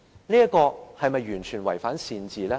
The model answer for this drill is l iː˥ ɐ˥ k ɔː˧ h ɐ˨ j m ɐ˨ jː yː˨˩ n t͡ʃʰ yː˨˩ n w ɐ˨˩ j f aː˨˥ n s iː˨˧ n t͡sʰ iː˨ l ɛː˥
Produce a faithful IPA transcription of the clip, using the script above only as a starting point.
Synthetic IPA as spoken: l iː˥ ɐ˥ k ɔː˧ h ɐ˨ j m ɐ˨ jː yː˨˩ n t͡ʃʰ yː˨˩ n w ɐ˨˩ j f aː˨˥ n s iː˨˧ n t͡s iː˨ l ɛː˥

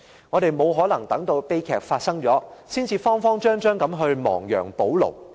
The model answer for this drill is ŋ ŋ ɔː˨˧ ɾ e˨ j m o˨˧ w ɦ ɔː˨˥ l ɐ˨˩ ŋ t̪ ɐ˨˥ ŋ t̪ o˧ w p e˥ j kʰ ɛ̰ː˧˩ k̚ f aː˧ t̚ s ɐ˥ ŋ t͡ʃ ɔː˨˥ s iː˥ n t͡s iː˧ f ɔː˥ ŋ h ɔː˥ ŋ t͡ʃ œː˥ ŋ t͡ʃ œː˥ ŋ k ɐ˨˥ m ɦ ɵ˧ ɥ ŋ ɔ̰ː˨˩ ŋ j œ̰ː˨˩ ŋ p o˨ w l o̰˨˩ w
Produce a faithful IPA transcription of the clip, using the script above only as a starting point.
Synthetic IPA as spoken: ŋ ŋ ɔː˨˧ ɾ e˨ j m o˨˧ w ɦ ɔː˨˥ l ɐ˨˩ ŋ t̪ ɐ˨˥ ŋ t̪ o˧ w p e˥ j kʰ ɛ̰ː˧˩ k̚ f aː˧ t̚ s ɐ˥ ŋ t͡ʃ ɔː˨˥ s iː˥ n t͡s iː˧ f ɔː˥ ŋ f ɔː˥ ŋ t͡ʃ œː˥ ŋ t͡ʃ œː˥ ŋ k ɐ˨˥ m ɦ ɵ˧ ɥ m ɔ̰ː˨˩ ŋ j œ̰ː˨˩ ŋ p o˨˥ w l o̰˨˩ w

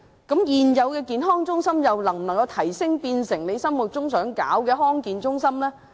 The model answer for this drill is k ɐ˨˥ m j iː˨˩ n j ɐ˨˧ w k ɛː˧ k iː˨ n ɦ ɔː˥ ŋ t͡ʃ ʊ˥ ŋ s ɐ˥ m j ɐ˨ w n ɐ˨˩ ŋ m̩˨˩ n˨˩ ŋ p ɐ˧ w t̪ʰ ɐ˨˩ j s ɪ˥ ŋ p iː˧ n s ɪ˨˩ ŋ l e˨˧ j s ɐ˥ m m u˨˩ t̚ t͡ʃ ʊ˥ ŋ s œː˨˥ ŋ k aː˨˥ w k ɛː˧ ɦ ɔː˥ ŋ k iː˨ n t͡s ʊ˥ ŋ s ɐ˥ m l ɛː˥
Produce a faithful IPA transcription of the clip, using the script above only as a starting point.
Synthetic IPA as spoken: k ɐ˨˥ m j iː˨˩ n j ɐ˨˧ w k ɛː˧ k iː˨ n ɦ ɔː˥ ŋ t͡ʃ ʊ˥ ŋ s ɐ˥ m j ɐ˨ w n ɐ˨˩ ŋ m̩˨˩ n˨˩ ŋ k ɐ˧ w t̪ʰ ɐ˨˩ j s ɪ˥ ŋ p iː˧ n s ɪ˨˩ ŋ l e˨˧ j s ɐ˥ m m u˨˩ t̚ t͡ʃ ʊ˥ ŋ s œː˨˥ ŋ k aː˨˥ w k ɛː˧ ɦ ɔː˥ ŋ k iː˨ n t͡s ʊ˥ ŋ s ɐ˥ m l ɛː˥

